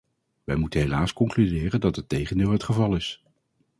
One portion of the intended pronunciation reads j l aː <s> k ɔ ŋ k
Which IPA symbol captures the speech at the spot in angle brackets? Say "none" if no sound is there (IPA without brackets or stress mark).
s